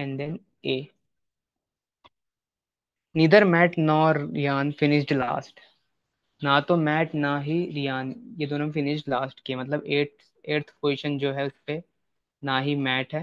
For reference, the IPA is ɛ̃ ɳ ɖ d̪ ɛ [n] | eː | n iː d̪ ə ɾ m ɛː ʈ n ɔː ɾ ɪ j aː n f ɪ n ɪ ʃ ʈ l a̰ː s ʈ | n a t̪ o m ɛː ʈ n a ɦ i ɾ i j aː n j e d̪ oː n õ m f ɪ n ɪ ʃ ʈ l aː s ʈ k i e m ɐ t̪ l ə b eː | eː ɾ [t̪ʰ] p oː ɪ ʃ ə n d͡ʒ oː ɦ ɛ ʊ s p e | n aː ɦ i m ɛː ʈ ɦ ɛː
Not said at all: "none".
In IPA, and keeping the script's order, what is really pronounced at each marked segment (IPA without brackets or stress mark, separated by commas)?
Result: n, t̪ʰ